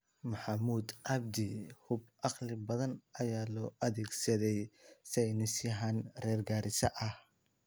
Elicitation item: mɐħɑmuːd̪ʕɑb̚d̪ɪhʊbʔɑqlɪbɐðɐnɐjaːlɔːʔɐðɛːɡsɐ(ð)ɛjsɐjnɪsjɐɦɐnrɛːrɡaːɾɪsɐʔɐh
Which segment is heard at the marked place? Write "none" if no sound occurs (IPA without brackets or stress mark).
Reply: ð